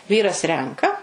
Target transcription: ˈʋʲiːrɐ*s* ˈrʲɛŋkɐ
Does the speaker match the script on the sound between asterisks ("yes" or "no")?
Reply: yes